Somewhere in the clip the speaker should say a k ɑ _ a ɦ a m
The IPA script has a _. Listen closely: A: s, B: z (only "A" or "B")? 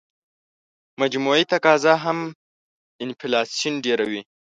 B